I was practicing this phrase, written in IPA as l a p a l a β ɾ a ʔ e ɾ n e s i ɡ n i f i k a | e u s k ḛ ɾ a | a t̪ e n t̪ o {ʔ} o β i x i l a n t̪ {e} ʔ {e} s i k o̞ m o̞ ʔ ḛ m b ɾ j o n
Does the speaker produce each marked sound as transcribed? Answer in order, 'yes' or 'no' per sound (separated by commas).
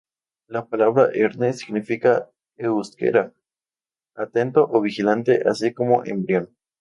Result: yes, yes, no